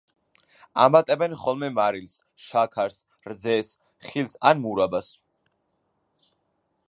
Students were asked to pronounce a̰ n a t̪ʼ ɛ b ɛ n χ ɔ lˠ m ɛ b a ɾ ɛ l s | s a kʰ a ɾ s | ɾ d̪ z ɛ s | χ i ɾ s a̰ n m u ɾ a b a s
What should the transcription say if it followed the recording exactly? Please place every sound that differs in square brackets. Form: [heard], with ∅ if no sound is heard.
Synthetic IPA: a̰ [m] a t̪ʼ ɛ b ɛ n χ ɔ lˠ m ɛ [m] a ɾ [i] l s | [ʃ] a kʰ a ɾ s | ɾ d̪ z ɛ s | χ i [l] s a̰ n m u ɾ a b a s